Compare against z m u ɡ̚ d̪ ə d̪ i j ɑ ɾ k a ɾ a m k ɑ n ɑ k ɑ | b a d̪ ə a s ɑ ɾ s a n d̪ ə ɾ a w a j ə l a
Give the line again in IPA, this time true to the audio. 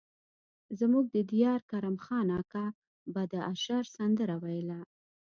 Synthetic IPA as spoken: z m u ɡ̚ d̪ ə d̪ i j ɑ ɾ k a ɾ a m x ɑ n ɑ k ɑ | b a d̪ ə a ʃ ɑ ɾ s a n d̪ ə ɾ a w a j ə l a